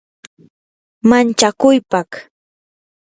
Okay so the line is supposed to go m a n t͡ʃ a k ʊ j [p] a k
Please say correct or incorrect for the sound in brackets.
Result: correct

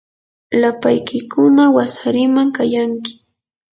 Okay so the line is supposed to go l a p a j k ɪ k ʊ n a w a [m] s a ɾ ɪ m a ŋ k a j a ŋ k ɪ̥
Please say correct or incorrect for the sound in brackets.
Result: incorrect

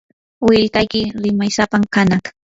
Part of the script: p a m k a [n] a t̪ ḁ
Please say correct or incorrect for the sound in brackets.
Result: correct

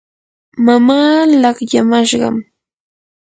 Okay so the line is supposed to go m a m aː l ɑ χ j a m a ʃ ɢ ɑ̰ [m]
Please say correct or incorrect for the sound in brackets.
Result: correct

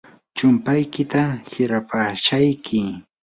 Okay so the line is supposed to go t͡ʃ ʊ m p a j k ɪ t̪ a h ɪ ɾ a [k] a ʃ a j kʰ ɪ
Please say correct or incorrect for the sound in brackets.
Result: incorrect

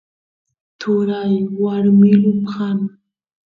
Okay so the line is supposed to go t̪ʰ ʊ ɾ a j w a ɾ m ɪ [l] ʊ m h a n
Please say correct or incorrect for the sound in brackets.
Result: correct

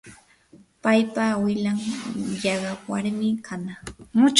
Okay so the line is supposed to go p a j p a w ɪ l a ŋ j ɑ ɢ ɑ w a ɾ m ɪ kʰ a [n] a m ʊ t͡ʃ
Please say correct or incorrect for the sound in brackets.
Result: correct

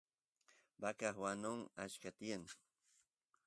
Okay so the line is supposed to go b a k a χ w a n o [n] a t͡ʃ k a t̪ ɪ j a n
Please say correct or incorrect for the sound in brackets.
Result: incorrect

